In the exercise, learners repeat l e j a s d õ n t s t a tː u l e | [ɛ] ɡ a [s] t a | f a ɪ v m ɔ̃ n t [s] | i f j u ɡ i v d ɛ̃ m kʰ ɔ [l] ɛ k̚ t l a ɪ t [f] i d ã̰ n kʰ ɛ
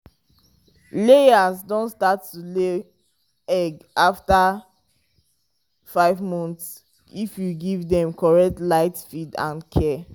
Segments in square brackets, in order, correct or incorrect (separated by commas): correct, incorrect, correct, incorrect, correct